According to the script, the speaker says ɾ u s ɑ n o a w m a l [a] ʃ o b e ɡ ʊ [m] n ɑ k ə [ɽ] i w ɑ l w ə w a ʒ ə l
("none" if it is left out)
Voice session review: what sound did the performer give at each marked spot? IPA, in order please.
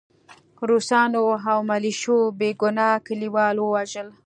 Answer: i, none, l

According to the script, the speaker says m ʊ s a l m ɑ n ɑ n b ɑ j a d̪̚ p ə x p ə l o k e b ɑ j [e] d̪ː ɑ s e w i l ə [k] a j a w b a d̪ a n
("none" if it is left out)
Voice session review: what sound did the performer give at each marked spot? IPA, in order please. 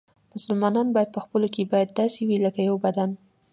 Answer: a, k

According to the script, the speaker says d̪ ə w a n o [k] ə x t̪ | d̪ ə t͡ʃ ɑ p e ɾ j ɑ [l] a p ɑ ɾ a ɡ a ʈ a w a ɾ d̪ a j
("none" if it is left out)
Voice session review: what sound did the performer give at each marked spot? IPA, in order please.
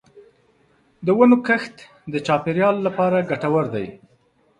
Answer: k, lː

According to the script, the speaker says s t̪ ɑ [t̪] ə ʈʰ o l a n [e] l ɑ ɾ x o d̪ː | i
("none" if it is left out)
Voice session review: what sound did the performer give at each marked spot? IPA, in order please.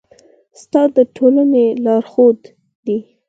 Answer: d̪, e

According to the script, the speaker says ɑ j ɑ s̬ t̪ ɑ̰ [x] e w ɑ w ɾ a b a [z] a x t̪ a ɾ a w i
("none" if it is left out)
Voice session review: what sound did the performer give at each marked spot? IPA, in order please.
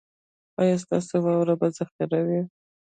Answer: s, z

